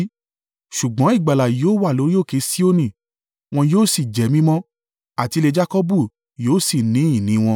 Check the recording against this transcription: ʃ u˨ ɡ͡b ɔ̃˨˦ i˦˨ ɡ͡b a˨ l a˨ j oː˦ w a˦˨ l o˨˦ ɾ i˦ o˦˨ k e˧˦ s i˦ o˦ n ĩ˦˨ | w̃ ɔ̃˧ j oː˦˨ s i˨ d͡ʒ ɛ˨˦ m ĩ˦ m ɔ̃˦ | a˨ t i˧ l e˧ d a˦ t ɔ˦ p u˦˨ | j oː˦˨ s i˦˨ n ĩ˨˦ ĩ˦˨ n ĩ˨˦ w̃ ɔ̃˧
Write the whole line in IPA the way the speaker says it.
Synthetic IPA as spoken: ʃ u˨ ɡ͡b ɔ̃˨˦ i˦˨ ɡ͡b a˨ l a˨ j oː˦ w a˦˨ l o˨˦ ɾ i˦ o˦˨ k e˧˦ s i˦ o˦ n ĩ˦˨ | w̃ ɔ̃˧ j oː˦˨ s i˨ d͡ʒ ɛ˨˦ m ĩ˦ m ɔ̃˦ | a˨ t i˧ l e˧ d͡ʒ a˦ k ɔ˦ b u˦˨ | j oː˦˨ s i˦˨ n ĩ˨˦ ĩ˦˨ n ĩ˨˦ w̃ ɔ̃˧